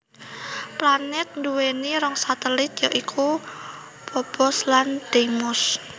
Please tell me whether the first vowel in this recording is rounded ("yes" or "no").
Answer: no